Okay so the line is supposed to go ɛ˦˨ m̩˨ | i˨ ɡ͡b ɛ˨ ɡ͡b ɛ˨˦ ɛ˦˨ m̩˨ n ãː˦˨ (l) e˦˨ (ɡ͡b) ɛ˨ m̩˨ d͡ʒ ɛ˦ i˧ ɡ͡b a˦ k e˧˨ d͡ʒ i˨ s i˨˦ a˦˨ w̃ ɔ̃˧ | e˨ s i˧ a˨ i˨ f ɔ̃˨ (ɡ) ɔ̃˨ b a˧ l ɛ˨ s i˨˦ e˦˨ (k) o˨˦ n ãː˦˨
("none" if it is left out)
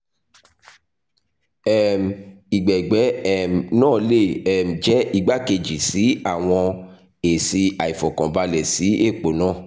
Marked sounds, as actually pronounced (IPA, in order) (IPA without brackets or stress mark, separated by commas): l, none, k, k͡p